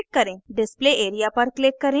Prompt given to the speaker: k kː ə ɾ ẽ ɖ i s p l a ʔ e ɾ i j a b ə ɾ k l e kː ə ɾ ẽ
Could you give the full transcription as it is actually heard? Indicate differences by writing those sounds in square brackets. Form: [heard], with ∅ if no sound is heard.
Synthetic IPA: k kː ə ɾ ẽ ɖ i s p l [e] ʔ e ɾ i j a [p] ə ɾ k l e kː ə ɾ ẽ